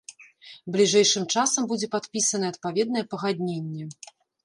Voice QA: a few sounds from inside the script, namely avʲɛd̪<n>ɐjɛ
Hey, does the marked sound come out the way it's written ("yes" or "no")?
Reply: yes